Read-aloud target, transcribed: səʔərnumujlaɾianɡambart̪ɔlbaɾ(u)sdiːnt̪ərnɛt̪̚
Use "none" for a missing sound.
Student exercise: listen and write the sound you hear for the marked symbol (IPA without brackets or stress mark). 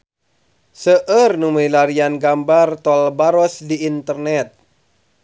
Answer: ɔ